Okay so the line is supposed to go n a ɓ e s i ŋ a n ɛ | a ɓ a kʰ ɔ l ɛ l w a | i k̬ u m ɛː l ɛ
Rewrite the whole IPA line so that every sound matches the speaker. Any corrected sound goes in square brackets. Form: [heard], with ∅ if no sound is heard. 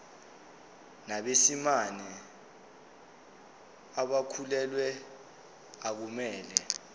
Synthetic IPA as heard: n a ɓ e s i [m] a n ɛ | a ɓ a kʰ [u] l ɛ l w [ɛ] | [a] k̬ u m ɛː l ɛ